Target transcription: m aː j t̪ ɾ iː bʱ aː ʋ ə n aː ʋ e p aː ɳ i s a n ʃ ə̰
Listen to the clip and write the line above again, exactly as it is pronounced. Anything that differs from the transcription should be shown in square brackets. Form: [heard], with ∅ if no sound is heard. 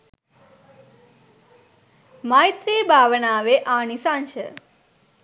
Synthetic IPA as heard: m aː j t̪ ɾ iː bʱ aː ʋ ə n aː ʋ e [ʔ] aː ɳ i s a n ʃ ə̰